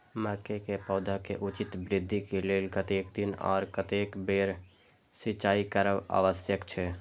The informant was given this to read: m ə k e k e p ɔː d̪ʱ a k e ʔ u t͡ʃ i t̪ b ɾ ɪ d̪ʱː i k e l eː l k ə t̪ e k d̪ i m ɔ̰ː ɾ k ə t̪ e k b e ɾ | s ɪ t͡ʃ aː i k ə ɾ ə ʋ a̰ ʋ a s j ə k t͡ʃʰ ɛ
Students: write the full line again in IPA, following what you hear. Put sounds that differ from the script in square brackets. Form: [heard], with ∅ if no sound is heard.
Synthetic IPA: m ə k e k e p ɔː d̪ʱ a k e ʔ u t͡ʃ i t̪ b ɾ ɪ d̪ʱː i k e l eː l k ə t̪ e k d̪ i [n] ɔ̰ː ɾ k ə t̪ e k b e ɾ | s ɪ t͡ʃ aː i k ə ɾ ə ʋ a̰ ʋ [ə] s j ə k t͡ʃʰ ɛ